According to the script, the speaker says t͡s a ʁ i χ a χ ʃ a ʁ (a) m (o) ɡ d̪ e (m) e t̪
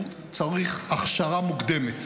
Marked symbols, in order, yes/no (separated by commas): yes, no, yes